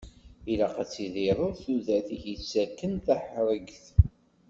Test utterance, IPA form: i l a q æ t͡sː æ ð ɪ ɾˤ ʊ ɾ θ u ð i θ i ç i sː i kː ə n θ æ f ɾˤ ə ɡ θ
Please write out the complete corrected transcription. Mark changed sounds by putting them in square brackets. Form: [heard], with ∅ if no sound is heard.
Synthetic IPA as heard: i l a q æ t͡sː [i] ð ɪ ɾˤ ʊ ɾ θ u ð [æ] θ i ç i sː [æ] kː ə n θ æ [ħ] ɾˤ ə ɡ θ